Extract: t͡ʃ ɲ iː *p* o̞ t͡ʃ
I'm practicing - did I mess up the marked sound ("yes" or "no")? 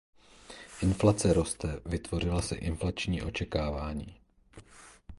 yes